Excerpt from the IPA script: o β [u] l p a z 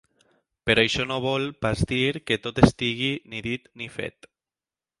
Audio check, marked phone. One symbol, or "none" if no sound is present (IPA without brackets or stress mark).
ɔ